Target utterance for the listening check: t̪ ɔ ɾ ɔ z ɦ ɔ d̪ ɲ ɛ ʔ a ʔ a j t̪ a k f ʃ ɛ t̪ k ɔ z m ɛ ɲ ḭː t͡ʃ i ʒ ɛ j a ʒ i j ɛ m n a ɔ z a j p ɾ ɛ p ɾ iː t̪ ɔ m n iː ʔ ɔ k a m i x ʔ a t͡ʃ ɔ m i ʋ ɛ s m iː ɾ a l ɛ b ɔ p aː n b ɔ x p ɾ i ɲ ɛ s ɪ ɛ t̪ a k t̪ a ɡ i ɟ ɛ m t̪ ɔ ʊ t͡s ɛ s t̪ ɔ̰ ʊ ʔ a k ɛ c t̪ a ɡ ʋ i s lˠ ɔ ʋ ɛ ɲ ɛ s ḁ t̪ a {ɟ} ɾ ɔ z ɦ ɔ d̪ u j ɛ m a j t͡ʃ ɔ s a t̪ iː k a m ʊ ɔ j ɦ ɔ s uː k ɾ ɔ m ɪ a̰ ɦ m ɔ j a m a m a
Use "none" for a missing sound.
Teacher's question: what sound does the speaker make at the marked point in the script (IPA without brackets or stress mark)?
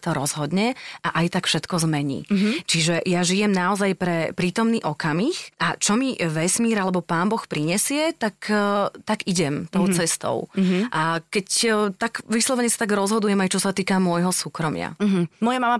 ɡ